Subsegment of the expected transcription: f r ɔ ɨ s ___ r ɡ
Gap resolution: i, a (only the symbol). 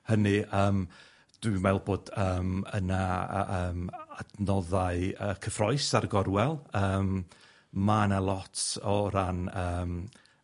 a